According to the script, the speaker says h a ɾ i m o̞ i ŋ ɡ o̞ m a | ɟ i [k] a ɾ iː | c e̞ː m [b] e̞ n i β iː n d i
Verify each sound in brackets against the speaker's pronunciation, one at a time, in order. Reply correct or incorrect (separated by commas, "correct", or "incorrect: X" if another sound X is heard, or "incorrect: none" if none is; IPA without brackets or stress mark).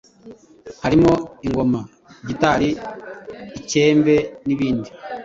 incorrect: t, correct